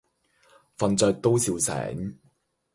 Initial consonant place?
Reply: labial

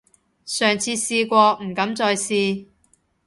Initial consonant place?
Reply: alveolar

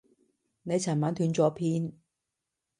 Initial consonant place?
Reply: alveolar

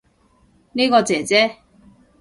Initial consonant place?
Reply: alveolar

